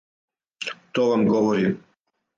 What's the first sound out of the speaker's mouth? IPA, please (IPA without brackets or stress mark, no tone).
t̪